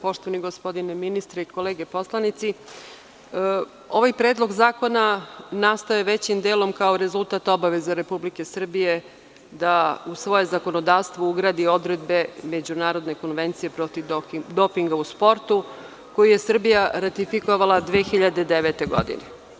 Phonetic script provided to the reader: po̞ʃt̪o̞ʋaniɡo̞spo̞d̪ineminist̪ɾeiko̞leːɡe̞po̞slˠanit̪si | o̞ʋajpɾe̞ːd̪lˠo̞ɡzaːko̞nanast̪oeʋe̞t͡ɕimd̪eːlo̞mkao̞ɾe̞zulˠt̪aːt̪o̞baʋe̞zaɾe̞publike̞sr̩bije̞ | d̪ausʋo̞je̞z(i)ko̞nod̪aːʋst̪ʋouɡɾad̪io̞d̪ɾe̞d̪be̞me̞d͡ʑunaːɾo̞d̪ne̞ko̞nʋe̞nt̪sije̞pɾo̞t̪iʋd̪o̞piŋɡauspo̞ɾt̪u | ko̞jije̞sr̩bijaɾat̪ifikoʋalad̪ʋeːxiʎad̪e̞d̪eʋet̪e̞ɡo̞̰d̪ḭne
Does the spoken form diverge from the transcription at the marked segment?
yes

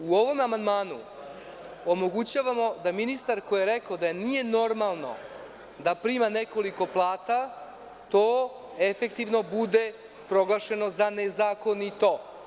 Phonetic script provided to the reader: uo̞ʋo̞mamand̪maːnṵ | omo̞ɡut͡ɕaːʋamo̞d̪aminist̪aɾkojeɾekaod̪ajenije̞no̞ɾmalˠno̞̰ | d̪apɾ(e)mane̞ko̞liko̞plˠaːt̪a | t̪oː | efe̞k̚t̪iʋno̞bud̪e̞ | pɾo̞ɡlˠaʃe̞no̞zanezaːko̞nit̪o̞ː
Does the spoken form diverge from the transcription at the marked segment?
yes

